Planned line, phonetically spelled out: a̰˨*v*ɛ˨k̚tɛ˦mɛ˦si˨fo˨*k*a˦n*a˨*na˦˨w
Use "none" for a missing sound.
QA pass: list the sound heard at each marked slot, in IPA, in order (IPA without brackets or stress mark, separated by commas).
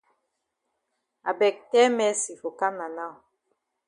b, k, a˨